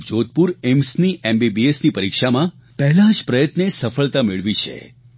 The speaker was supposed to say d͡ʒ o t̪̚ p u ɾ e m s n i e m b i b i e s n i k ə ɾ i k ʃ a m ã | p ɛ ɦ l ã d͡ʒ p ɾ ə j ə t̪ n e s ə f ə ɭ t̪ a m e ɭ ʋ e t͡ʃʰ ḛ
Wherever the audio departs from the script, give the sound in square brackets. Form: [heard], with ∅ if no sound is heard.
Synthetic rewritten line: d͡ʒ o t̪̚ p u ɾ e m s n i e m b i b i e s n i [p] ə ɾ i k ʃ a m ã | p ɛ ɦ l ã d͡ʒ p ɾ ə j ə t̪ n e s ə f ə ɭ t̪ a m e ɭ ʋ [i] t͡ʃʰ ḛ